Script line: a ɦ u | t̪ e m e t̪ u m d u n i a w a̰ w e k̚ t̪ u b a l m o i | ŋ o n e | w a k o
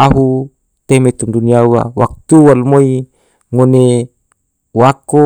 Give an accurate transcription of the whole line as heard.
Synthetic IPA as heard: a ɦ u | t̪ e m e t̪ u m d u n i a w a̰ w a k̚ t̪ u w a l m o i | ŋ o n e | w a k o